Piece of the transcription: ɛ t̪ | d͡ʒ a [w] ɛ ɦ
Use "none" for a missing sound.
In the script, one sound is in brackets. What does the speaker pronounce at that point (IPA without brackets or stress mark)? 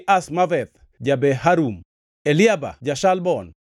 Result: b